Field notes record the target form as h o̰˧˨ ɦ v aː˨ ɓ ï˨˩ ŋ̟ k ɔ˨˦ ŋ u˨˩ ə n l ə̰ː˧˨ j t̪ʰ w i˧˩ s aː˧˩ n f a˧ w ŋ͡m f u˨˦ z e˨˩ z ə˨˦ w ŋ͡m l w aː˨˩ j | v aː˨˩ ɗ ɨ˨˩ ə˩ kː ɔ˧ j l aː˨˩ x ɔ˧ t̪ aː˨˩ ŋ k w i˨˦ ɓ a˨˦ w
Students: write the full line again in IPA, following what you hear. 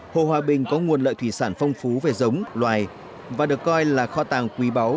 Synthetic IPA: h o̰˧˨ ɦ w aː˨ ɓ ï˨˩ ŋ̟ k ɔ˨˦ ŋ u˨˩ ə n l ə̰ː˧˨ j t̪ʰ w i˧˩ s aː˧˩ n f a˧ w ŋ͡m f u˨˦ v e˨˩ z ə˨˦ w ŋ͡m l w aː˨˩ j | v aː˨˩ ɗ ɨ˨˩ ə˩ kː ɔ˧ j l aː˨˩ x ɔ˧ t̪ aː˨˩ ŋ k w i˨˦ ɓ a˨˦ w

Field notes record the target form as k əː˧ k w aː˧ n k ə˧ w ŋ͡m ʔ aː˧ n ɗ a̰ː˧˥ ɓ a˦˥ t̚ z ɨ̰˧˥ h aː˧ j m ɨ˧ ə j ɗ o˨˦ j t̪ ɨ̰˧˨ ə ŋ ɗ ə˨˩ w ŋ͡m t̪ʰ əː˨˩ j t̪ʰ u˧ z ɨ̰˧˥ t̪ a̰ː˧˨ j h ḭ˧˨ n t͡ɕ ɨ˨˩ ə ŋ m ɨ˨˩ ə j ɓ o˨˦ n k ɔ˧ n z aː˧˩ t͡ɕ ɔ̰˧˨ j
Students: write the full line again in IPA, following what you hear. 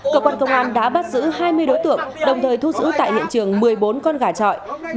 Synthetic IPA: k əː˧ k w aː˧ n k ə˧ w ŋ͡m ʔ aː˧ n ɗ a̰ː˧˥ ɓ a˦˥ t̚ z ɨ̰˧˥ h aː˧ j m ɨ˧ ə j ɗ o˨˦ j t̪ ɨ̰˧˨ ə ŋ ɗ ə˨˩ w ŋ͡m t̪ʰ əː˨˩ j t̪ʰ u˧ z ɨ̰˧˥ t̪ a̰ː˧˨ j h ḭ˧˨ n t͡ɕ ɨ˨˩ ə ŋ m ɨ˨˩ ə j ɓ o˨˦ n k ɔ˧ n ɣ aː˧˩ t͡ɕ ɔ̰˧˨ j

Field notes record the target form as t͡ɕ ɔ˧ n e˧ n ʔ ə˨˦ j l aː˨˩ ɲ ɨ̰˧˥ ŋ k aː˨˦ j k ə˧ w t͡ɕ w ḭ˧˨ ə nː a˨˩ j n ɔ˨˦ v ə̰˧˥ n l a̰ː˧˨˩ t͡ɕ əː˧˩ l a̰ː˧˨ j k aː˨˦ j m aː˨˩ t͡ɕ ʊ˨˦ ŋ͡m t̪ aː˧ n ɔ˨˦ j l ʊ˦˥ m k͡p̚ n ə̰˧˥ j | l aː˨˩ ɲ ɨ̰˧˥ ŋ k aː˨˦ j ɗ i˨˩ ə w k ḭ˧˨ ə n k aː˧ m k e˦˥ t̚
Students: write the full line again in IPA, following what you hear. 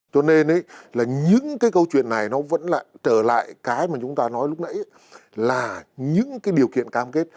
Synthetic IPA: t͡ɕ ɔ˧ n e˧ n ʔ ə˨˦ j l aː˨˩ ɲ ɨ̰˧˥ ŋ k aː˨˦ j k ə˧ w t͡ɕ w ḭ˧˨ ə nː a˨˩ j n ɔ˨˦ v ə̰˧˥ n l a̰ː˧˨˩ t͡ɕ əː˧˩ l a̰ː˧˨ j k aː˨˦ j m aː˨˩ t͡ɕ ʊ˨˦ ŋ͡m t̪ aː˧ n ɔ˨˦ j l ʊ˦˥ k͡p̚ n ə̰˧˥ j | l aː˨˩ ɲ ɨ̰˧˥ ŋ k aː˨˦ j ɗ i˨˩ ə w k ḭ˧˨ ə n k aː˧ m k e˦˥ t̚

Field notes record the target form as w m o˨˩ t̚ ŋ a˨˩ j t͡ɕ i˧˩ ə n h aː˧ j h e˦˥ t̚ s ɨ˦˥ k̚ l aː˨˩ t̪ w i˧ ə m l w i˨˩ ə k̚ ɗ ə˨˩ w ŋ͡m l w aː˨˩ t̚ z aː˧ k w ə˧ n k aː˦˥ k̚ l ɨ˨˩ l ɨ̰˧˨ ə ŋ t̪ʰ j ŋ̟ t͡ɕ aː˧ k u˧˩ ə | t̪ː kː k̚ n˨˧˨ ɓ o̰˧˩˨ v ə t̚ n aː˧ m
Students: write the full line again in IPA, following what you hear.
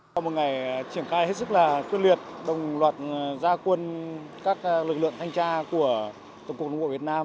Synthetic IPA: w m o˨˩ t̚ ŋ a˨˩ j t͡ɕ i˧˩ ə n x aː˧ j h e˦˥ t̚ s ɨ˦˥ k̚ l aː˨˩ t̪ w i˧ ə n l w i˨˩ ə t̚ ɗ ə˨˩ w ŋ͡m l w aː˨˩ t̚ z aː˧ k w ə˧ n k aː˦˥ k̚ l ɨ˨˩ l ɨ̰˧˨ ə ŋ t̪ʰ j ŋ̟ t͡ɕ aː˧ k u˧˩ ə | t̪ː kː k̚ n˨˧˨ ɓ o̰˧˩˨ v ə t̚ n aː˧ m

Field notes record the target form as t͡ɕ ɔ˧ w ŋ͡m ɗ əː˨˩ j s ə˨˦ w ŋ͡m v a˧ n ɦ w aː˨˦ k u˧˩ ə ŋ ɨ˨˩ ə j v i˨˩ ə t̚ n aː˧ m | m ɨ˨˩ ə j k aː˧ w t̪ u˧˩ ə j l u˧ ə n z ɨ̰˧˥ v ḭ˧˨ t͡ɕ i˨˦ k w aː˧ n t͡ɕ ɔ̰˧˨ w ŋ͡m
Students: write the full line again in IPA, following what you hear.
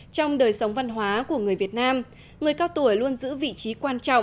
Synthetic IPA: t͡ɕ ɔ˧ w ŋ͡m ɗ əː˨˩ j s ə˨˦ w ŋ͡m v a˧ n ɦ w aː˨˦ k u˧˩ ə ŋ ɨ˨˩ ə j v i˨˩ ə t̚ n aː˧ m | ŋ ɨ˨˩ ə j k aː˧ w t̪ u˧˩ ə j l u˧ ə n z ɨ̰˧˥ v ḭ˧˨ t͡ɕ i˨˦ k w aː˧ n t͡ɕ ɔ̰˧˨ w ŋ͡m

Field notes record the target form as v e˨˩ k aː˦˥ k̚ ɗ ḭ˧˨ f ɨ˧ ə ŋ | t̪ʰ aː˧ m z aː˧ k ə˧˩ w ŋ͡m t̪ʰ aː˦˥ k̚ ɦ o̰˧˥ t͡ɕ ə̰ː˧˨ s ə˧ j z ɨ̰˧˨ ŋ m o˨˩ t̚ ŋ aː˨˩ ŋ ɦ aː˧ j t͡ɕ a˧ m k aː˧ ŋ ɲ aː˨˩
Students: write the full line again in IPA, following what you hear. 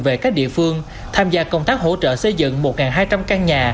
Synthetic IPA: v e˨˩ k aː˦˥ k̚ ɗ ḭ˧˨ f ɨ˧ ə ŋ | t̪ʰ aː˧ m z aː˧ k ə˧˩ w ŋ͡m t̪ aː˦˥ k̚ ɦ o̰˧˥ t͡ɕ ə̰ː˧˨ s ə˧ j z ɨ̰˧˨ ŋ m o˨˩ t̚ ŋ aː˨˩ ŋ ɦ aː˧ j t͡ɕ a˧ m k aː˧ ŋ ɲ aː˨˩

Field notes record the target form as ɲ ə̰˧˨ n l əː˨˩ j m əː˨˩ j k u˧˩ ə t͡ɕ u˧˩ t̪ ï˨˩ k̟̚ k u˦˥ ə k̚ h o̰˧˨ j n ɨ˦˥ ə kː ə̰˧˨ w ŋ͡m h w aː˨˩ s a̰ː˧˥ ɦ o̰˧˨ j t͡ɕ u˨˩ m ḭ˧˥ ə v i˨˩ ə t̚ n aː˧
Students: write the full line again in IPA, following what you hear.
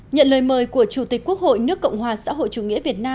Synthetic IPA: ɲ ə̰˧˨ n l əː˨˩ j m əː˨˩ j k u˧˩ ə t͡ɕ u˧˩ t̪ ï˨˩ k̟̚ k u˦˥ ə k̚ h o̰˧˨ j n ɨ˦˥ ə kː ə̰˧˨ w ŋ͡m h w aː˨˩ s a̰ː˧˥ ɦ o̰˧˨ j t͡ɕ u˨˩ ŋ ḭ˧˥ ə v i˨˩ ə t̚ n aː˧

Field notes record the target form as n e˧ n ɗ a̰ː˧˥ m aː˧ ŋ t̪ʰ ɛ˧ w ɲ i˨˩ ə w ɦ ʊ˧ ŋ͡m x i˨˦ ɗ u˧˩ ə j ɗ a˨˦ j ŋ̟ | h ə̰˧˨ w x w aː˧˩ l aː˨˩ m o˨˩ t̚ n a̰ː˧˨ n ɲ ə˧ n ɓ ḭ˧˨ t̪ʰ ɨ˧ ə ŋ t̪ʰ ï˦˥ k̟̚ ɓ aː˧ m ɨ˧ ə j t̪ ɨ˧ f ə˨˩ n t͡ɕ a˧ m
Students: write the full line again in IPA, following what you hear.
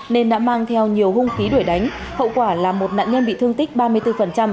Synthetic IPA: n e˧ n ɗ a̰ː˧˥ m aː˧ ŋ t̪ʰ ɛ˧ w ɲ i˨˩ ə w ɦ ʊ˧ ŋ͡m x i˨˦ ɗ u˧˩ ə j ɗ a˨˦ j ŋ̟ | h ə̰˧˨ w k w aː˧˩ l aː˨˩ m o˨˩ t̚ n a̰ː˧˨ n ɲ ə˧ n ɓ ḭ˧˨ t̪ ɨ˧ ə ŋ t̪ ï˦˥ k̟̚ ɓ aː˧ m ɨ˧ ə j t̪ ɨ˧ f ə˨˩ n t͡ɕ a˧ m

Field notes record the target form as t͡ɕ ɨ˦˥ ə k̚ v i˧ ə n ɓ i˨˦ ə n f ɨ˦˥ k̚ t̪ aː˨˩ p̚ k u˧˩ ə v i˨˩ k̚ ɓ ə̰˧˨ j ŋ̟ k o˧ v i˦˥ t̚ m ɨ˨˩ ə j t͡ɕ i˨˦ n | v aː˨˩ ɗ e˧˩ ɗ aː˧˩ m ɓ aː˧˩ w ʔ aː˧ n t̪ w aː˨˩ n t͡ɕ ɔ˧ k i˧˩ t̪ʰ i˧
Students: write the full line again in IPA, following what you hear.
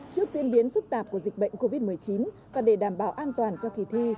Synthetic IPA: t͡ɕ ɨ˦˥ ə k̚ z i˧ ə n ɓ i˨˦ ə n f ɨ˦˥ k̚ t̪ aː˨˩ p̚ k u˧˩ ə z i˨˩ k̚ ɓ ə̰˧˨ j ŋ̟ k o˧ v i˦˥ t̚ m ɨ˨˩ ə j t͡ɕ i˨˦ n | v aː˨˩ ɗ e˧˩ ɗ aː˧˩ m ɓ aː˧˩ w ʔ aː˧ n t̪ w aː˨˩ n t͡ɕ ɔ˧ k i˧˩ t̪ʰ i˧

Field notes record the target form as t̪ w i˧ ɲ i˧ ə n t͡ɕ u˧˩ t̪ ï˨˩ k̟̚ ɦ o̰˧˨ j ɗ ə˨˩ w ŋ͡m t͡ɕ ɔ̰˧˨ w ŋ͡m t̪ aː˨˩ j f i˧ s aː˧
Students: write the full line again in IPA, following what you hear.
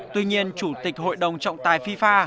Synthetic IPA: t̪ w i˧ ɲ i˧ ə n t͡ɕ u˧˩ t̪ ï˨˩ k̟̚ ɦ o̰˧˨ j ɗ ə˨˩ w ŋ͡m t͡ɕ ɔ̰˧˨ w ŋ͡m t̪ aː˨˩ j f i˧ f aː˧

